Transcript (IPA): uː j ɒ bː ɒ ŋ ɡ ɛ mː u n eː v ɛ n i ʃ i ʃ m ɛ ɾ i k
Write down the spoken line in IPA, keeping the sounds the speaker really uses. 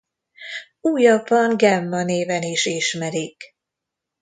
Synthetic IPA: uː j ɒ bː ɒ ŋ ɡ ɛ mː ɒ n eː v ɛ n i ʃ i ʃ m ɛ ɾ i k